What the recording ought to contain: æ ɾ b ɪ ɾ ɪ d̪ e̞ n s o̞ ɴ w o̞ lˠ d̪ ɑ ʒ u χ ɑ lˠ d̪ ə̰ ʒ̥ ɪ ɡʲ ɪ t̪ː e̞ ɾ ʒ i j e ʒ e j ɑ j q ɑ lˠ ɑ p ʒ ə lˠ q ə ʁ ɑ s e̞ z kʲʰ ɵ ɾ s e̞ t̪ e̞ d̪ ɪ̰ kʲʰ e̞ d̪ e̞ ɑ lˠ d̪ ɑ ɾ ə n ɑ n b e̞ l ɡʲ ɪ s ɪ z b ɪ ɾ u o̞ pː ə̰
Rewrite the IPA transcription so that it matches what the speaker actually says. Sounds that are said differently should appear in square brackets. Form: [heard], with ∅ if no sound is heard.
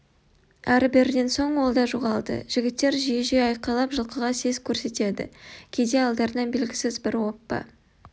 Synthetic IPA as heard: æ ɾ b ɪ ɾ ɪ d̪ e̞ n s o̞ ɴ w o̞ lˠ d̪ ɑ ʒ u [ʁ] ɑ lˠ d̪ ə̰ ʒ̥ ɪ ɡʲ ɪ t̪ː e̞ ɾ ʒ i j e ʒ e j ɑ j q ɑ lˠ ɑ p ʒ ə lˠ q ə ʁ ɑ s e̞ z kʲʰ ɵ ɾ s e̞ t̪ e̞ d̪ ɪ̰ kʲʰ e̞ d̪ e̞ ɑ lˠ d̪ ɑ ɾ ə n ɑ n b e̞ l ɡʲ ɪ s ɪ z b ɪ ɾ [w] o̞ pː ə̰